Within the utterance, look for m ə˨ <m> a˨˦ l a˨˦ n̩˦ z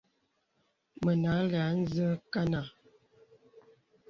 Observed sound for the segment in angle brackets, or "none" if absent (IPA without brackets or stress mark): n